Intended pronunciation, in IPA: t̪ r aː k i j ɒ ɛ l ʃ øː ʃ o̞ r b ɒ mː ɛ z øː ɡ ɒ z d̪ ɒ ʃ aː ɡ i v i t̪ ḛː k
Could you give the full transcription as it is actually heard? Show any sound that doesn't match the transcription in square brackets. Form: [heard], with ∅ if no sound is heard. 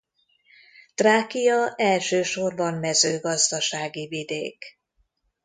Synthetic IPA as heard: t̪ r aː k i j ɒ ɛ l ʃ øː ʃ o̞ r b ɒ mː ɛ z øː ɡ ɒ z d̪ ɒ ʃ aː ɡ i v i [d̪] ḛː k